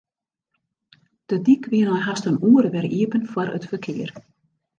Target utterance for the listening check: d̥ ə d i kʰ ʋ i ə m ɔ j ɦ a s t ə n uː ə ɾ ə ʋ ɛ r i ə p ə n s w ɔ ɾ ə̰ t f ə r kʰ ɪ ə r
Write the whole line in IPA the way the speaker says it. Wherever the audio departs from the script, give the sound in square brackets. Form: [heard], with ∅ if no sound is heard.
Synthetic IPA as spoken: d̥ ə d i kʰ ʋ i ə [n] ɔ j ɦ a s t ə n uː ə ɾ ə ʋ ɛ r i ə p ə n [f] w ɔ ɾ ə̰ t f ə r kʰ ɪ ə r